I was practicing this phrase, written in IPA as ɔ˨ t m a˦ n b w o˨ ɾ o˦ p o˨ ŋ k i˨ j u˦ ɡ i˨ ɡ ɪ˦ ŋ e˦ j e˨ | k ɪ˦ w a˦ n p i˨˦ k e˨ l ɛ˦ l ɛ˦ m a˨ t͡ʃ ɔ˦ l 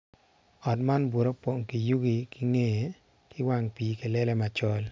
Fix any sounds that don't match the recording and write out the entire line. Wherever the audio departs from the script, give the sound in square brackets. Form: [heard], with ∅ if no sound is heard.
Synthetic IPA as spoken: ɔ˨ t m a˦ n b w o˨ ɾ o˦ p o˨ ŋ k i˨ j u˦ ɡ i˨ [k] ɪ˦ ŋ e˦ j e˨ | k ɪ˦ w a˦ [ŋ] p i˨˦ k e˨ l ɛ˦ l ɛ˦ m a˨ t͡ʃ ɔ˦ l